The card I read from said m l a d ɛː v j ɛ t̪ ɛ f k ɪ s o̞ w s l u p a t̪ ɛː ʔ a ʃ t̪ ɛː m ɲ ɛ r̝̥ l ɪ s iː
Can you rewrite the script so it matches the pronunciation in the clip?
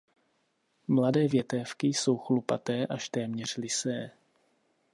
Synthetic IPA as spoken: m l a d ɛː v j ɛ t̪ ɛ f k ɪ s o̞ w x l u p a t̪ ɛː ʔ a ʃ t̪ ɛː m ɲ ɛ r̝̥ l ɪ s ɛː